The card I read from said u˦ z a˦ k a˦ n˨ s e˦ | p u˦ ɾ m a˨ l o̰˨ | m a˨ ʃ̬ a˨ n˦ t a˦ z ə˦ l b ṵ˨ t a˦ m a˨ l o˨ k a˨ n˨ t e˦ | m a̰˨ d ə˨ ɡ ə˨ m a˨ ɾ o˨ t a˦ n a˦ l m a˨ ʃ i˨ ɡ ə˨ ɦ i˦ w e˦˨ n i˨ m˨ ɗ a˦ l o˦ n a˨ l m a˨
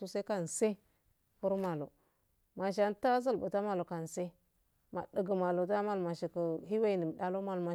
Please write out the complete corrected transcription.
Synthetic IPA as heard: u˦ s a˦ k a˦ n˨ s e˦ | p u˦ ɾ m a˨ l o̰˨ | m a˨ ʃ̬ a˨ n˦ t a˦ z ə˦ l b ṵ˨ t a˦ m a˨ l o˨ k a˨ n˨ s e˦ | m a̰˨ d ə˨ ɡ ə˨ m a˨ l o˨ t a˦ m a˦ l m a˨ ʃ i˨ k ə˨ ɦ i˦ w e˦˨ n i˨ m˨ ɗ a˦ l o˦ m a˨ l m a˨